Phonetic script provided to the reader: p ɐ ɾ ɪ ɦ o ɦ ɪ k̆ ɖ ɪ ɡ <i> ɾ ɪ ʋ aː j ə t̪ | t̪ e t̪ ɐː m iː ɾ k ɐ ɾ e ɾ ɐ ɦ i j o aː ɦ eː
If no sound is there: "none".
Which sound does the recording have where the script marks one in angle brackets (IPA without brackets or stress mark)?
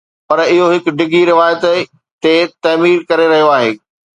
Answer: i